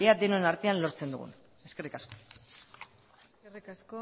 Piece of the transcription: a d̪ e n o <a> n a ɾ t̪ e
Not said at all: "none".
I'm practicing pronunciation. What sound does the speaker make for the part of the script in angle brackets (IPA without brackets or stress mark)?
e